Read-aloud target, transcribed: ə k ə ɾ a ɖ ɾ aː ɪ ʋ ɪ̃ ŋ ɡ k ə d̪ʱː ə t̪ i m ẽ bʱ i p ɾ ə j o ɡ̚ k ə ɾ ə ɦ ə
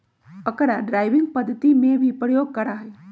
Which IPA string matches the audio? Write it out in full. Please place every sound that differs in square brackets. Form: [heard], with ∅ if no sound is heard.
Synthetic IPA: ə k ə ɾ a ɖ ɾ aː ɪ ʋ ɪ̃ ŋ ɡ [p] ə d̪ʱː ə t̪ i m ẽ bʱ i p ɾ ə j o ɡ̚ k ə ɾ [a] ɦ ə